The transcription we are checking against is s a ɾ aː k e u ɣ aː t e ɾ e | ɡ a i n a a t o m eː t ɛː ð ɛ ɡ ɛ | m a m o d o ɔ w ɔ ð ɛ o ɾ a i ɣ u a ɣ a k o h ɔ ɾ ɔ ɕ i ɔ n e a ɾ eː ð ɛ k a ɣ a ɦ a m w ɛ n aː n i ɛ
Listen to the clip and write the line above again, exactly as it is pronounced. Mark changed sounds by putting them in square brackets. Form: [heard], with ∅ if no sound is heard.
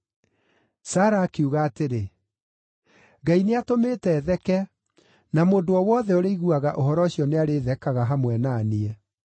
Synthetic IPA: s a ɾ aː k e u ɣ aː t e ɾ e | ɡ a i n [e] a t o m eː t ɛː ð ɛ [k] ɛ | [n] a m o d o ɔ w ɔ ð ɛ o ɾ [e] i ɣ u a ɣ a [ʔ] o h ɔ ɾ ɔ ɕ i ɔ n e a ɾ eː ð ɛ k a ɣ a ɦ a m w ɛ n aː n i ɛ